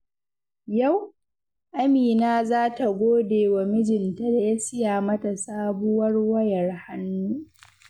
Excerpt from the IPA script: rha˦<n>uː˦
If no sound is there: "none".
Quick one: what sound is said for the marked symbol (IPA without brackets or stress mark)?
nː